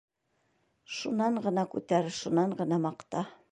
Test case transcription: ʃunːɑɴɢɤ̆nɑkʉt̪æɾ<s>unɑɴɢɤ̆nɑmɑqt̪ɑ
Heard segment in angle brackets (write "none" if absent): ʃ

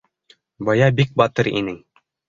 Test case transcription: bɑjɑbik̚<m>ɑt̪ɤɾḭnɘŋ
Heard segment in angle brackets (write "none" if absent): b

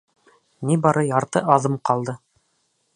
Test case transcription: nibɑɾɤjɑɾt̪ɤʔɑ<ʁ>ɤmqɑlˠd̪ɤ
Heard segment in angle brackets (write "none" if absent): ð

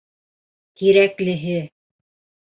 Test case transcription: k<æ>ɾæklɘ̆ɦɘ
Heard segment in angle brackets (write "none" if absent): i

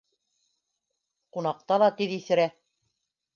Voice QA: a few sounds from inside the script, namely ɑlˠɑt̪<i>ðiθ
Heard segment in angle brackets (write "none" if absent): i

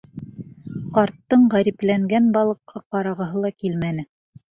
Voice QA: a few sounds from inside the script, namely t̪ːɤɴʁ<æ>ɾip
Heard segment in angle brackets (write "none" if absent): æ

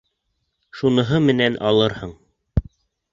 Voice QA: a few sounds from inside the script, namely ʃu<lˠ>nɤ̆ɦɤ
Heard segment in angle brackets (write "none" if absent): none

